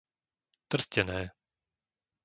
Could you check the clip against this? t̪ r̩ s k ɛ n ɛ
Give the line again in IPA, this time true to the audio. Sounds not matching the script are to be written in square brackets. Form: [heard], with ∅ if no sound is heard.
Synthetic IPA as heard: t̪ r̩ s [c] ɛ n [ɛː]